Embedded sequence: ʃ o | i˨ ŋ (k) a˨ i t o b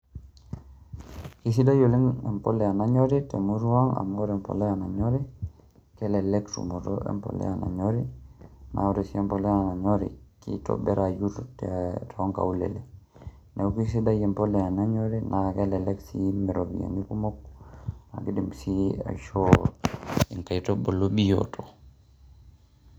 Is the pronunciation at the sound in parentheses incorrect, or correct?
correct